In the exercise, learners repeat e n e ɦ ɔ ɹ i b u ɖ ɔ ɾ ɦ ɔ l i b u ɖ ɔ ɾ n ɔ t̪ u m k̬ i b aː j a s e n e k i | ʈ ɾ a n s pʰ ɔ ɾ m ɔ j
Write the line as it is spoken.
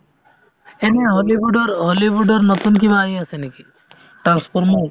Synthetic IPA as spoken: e n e ɦ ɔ l i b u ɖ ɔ ɾ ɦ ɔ l i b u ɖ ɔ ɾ n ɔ t̪ u n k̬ i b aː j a s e n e k i | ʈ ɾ a n s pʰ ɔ ɾ m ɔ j